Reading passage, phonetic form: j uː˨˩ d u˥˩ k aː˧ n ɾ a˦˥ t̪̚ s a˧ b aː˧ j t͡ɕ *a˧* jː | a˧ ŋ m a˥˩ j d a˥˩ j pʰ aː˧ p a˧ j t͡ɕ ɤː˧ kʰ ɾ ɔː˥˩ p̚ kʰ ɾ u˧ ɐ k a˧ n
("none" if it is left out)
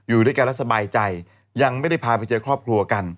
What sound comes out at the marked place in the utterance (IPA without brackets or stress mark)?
a˧